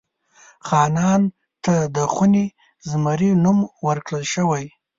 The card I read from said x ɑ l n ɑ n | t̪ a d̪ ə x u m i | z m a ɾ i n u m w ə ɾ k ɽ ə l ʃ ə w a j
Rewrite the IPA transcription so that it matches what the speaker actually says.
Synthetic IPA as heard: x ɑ n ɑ n | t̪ a d̪ ə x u n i | z m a ɾ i n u m w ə ɾ k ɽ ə l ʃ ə w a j